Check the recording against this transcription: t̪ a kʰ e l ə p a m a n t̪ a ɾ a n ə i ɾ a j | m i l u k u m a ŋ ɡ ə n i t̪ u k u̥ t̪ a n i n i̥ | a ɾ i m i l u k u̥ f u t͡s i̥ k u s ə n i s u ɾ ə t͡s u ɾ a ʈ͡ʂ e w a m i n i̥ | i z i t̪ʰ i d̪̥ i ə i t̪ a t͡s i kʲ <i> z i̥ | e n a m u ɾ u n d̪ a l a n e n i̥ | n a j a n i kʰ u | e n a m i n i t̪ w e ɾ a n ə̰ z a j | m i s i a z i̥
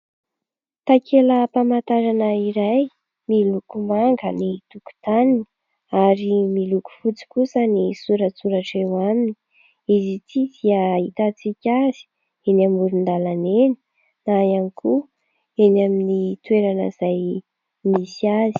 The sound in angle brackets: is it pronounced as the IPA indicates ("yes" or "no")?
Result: no